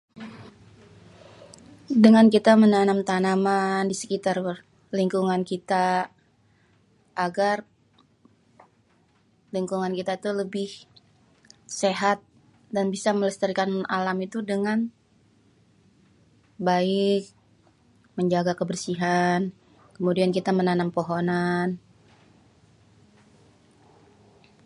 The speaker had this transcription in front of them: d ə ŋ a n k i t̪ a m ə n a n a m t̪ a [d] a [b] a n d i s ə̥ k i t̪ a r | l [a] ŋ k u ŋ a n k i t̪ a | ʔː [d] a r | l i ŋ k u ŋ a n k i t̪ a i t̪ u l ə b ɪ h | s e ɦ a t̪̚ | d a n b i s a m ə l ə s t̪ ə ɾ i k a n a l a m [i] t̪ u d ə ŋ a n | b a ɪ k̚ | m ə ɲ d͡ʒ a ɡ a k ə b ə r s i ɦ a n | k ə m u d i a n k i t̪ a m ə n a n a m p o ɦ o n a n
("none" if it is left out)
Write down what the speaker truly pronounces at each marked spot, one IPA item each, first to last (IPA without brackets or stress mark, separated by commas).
n, m, i, ɡ, i